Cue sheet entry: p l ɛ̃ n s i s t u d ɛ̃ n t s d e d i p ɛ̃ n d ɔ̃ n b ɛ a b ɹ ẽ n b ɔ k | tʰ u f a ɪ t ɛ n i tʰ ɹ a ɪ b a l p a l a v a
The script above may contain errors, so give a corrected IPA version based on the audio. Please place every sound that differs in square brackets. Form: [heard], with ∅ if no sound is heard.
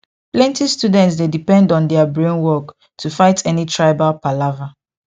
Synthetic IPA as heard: p l ɛ̃ n [t] i s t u d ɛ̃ n t s d e d i p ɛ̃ n d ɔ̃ n [d] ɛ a b ɹ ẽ n [w] ɔ k | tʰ u f a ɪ t ɛ n i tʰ ɹ a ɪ b a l p a l a v a